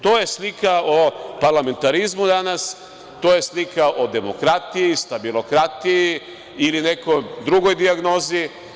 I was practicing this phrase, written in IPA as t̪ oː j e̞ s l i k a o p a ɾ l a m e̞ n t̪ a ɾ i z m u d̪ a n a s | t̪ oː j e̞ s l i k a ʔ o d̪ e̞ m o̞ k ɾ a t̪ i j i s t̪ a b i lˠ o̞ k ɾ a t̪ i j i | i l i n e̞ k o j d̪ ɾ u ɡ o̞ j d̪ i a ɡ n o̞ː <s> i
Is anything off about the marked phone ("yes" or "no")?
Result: yes